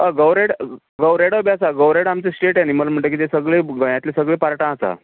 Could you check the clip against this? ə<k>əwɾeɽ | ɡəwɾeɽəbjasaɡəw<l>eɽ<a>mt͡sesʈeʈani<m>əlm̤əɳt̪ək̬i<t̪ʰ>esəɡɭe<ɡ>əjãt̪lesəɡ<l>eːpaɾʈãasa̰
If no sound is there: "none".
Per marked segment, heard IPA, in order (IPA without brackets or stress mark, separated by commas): ɡ, ɾ, a, m, t̪, ɡ, ɭ